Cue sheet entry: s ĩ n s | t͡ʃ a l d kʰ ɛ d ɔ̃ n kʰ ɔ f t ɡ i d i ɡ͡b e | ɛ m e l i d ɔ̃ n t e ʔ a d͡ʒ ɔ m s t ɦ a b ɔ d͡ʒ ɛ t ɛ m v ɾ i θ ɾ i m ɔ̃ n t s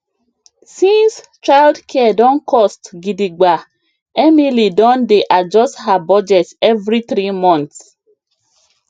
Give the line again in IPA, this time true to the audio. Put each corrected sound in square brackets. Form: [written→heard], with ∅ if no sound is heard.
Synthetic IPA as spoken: s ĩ n s | t͡ʃ a l d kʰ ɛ d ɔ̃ n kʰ ɔ [f→s] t ɡ i d i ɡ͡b [e→a] | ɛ m [e→i] l i d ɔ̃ n [t→d] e ʔ a d͡ʒ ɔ [m→∅] s t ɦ a b ɔ d͡ʒ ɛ t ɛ [m→∅] v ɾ i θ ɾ i m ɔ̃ n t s